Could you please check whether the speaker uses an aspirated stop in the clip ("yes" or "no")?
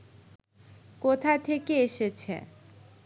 yes